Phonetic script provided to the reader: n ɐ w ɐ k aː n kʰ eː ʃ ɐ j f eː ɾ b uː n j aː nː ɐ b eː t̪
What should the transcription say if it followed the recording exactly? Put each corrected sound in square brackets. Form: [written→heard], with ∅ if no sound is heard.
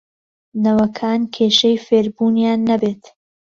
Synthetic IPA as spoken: n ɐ w ɐ [k→kʰ] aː n kʰ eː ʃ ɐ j f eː ɾ b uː n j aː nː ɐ b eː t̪

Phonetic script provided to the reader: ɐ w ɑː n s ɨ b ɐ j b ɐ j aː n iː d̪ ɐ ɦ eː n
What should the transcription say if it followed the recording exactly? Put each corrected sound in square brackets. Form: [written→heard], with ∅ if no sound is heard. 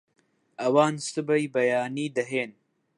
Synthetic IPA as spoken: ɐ w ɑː n s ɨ b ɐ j b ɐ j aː n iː d̪ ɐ ɦ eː n

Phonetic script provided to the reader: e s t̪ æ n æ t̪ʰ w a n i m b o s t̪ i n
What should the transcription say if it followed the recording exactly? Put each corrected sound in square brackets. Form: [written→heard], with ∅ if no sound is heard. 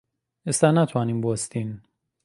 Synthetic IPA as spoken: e s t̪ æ n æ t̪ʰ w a n i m b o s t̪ i n

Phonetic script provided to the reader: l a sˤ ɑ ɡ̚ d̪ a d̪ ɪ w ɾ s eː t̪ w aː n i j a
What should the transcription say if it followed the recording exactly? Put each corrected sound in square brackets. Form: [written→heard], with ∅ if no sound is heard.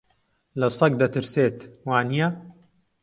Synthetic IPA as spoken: l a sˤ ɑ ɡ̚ d̪ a [d̪→t̪] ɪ [w→∅] ɾ s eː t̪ w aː n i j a

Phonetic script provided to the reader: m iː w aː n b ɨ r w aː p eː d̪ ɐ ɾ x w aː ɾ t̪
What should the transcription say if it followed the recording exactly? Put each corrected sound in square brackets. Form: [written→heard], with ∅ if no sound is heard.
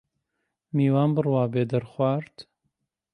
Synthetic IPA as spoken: m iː w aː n b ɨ r w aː [p→b] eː d̪ ɐ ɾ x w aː ɾ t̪

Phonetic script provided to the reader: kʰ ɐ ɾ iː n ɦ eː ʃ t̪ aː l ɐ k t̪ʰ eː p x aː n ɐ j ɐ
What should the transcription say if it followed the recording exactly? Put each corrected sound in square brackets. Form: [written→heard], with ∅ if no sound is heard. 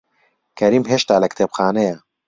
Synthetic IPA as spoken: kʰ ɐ ɾ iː [n→m] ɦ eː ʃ t̪ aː l ɐ k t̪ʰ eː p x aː n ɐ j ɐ

